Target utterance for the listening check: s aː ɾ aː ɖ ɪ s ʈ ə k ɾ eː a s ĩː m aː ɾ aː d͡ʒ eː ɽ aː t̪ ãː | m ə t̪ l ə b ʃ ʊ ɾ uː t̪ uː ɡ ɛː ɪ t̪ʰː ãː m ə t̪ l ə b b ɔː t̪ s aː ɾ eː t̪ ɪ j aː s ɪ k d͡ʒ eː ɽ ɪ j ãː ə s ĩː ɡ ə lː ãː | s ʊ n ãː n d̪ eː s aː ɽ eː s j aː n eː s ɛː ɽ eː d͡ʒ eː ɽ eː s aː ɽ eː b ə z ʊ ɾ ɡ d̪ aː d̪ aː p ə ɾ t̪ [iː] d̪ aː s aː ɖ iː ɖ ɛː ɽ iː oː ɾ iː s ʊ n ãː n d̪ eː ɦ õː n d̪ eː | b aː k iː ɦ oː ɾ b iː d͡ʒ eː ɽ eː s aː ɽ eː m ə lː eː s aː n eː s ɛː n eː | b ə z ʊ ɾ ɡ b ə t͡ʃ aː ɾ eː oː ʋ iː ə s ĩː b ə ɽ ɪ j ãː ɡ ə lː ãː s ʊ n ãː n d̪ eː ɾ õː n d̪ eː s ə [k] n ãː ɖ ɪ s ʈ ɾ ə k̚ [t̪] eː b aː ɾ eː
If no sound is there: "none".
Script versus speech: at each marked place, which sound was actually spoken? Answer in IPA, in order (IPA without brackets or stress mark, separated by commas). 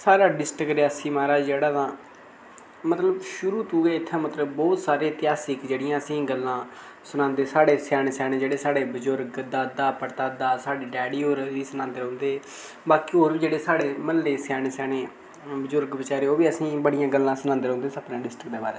aː, p, d̪